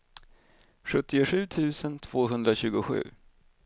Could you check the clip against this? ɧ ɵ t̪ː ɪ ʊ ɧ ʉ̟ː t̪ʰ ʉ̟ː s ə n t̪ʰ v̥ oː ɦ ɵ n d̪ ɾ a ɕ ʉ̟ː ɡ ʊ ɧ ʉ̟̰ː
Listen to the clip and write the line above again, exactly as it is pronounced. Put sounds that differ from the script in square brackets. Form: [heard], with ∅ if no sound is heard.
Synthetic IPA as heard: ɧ ɵ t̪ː ɪ ʊ ɧ ʉ̟ː t̪ʰ ʉ̟ː s ə n t̪ʰ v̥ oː ɦ ɵ n d̪ ɾ a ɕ ʉ̟ː ɡ ʊ ɧ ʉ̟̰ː